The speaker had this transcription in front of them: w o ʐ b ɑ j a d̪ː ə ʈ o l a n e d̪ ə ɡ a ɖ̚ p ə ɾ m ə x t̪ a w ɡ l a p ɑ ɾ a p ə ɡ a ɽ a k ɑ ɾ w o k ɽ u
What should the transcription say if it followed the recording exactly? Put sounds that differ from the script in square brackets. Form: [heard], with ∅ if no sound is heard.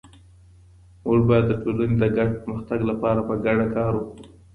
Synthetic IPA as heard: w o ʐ b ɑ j a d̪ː ə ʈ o l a n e d̪ ə ɡ a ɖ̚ p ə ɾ m ə x t̪ a [∅] ɡ l a p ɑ ɾ a p ə ɡ a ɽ a k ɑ ɾ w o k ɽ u